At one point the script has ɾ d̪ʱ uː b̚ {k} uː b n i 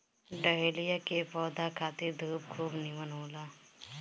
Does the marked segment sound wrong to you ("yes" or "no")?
yes